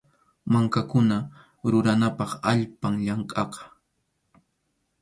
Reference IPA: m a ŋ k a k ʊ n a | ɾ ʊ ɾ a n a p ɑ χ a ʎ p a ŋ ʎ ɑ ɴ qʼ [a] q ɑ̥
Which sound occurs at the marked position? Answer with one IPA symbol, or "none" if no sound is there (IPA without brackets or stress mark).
ɑ